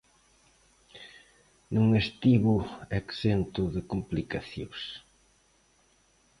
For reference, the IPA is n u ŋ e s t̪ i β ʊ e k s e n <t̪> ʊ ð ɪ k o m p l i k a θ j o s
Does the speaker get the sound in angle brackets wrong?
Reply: no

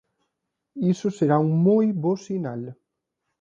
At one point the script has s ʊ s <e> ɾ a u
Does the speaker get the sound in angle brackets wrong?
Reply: no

